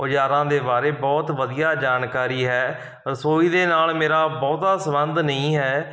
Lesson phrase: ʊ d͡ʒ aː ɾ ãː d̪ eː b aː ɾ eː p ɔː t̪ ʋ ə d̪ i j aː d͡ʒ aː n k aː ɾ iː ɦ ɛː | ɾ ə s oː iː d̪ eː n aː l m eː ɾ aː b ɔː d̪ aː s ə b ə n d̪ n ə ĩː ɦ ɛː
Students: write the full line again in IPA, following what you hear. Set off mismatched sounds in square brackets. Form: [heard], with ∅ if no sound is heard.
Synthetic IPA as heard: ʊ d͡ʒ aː ɾ ãː d̪ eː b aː ɾ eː [b] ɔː t̪ ʋ ə d̪ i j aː d͡ʒ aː n k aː ɾ iː ɦ ɛː | ɾ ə s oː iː d̪ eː n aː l m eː ɾ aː b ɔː [t̪] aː s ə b ə n d̪ n ə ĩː ɦ ɛː